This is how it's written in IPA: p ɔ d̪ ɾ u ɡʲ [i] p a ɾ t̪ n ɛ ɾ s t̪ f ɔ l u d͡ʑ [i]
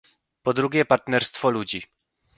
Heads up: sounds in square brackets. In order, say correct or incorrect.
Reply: incorrect, correct

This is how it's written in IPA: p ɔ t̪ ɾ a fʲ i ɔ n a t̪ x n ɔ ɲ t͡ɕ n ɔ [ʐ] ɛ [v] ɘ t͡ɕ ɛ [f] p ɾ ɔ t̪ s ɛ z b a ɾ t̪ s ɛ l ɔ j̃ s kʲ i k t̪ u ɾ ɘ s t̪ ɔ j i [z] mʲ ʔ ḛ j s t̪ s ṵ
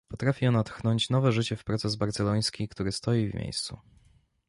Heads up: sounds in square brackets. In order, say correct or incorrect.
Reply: incorrect, incorrect, correct, incorrect

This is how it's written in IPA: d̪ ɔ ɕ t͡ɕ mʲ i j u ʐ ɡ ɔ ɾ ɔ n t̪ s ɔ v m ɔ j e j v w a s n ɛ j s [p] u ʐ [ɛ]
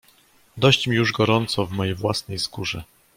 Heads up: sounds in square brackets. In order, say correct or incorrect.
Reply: incorrect, correct

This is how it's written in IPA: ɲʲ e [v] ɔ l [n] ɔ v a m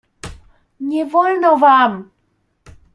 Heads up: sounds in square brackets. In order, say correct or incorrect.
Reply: correct, correct

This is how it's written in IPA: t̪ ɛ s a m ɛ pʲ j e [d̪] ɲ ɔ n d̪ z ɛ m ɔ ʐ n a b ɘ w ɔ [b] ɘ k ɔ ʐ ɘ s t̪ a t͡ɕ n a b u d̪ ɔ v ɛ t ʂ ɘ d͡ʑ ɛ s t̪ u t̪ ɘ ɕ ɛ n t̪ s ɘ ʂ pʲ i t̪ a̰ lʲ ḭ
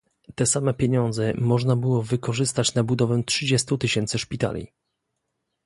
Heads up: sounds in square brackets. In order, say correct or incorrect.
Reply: incorrect, incorrect

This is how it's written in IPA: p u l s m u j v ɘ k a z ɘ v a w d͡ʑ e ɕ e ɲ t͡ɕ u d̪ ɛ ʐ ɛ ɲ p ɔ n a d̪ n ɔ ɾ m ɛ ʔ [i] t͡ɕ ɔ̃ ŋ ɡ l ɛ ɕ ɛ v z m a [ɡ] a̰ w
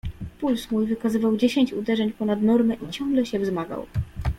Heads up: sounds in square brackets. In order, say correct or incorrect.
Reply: correct, correct

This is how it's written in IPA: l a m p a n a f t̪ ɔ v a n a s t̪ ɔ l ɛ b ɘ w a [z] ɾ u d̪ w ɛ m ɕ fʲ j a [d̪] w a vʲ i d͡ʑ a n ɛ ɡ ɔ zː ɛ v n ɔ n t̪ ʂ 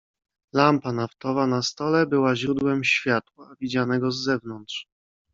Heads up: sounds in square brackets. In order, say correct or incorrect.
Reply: incorrect, incorrect

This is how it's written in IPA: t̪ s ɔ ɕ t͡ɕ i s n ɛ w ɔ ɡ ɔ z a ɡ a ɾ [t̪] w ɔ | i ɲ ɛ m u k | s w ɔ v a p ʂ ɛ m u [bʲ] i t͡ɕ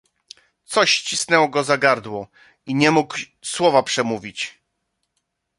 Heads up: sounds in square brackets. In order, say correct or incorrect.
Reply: incorrect, incorrect

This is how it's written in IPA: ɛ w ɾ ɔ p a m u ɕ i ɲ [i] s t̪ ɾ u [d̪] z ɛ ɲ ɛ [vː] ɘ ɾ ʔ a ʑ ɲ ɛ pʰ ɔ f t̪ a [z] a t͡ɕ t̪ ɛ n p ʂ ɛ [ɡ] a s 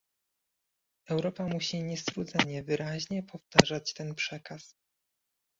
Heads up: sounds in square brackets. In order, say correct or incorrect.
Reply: incorrect, correct, incorrect, incorrect, incorrect

